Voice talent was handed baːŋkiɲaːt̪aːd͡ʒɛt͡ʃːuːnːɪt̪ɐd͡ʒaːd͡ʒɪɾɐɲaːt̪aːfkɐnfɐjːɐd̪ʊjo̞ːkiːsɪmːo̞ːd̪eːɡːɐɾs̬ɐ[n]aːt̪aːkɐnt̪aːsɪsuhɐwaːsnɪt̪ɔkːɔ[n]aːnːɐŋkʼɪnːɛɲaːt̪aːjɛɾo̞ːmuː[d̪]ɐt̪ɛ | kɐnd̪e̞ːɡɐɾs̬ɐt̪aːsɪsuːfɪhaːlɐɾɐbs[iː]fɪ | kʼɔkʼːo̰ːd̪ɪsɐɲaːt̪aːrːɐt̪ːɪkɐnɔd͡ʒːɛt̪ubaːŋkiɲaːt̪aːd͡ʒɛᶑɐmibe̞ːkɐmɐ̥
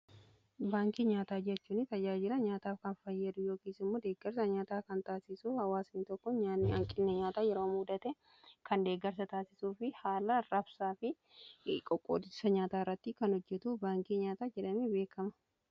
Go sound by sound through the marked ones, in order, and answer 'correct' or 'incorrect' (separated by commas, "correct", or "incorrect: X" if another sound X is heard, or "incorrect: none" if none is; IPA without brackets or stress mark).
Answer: incorrect: ɲ, incorrect: ɲ, correct, incorrect: aː